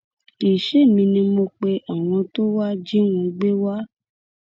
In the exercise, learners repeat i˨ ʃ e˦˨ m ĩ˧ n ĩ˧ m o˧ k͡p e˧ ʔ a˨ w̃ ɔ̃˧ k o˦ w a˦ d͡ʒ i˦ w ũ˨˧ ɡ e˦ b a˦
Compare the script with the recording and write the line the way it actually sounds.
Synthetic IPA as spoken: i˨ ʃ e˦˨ m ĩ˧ n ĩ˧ m o˧ k͡p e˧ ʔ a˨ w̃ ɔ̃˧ t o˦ w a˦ d͡ʒ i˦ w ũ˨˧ ɡ͡b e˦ w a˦